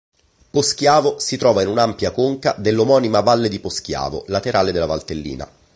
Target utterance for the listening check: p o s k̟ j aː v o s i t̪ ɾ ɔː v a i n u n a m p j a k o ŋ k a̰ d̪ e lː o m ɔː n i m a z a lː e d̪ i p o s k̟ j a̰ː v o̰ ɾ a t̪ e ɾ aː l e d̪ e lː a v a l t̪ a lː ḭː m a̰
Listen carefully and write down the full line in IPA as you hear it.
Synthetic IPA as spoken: p o s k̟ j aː v o s i t̪ ɾ ɔː v a i n u n a m p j a k o ŋ k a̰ d̪ e lː o m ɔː n i m a v a lː e d̪ i p o s k̟ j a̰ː v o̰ l a t̪ e ɾ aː l e d̪ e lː a v a l t̪ e lː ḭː n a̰